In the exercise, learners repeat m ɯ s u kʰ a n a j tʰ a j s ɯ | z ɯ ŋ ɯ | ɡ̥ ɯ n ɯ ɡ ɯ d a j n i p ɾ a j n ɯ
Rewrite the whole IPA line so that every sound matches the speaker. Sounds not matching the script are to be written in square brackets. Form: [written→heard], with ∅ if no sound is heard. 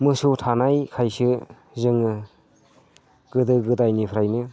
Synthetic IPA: m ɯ s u [kʰ→tʰ] a n a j [tʰ→kʰ] a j s ɯ | z ɯ ŋ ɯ | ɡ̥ ɯ [n→d] ɯ ɡ ɯ d a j n i [p→pʰ] ɾ a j n ɯ